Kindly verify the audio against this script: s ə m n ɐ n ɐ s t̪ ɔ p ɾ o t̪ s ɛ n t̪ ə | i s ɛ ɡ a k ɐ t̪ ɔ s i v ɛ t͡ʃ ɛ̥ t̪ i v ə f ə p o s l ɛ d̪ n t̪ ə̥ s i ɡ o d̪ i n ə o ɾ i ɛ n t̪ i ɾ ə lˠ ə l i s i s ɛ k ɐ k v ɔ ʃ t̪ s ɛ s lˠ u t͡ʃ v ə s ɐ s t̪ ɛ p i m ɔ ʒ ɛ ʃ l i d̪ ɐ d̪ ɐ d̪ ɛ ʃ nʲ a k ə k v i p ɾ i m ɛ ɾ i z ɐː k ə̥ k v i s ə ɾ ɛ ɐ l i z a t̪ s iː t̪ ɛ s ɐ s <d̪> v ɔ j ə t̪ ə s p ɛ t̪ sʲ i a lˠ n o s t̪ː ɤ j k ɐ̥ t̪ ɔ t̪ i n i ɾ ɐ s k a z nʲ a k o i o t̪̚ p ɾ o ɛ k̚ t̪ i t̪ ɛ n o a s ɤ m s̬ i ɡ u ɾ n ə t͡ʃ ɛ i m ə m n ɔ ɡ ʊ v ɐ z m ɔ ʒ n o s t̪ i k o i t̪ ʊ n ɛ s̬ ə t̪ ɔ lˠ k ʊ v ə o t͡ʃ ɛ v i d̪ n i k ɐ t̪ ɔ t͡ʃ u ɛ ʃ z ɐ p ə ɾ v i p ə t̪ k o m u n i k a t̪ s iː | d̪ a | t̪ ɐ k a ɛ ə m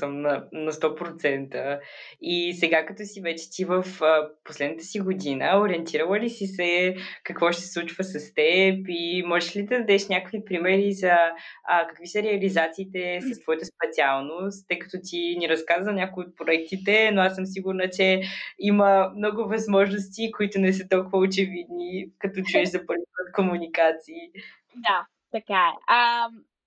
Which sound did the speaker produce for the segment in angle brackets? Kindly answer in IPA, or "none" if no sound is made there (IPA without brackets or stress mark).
t̪